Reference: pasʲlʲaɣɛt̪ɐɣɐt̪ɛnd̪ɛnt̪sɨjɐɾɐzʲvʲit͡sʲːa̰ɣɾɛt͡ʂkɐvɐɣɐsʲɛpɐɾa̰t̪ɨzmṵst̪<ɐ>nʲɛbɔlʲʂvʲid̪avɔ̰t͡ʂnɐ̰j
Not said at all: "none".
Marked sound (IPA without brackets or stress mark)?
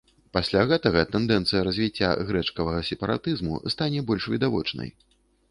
a